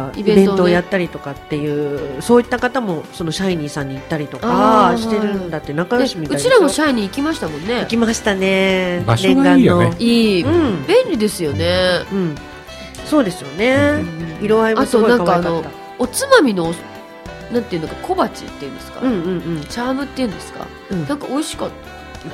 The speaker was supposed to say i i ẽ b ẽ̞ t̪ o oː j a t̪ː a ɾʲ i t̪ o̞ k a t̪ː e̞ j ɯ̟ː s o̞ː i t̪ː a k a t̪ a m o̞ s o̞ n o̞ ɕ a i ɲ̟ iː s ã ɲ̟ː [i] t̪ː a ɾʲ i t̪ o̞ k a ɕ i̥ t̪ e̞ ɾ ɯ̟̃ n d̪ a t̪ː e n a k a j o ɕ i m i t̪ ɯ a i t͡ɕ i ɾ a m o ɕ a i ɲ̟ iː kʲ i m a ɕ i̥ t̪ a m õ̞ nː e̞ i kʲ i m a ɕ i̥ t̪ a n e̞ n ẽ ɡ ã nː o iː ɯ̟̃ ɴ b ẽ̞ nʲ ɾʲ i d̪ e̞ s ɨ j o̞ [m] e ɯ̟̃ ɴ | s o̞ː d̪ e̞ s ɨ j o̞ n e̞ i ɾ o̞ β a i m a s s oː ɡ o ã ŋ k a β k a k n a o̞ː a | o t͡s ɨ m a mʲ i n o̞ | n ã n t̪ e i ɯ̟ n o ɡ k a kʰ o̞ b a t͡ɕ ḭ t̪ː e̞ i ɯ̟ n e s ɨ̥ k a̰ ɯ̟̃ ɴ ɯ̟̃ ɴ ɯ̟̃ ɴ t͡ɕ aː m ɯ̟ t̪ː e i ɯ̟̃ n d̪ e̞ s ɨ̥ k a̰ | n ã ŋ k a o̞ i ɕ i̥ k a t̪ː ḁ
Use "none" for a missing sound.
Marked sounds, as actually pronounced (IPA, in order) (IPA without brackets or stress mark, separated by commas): iː, n